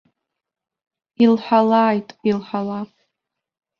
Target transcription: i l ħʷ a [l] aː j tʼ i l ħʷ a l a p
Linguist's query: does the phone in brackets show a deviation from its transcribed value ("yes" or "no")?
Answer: no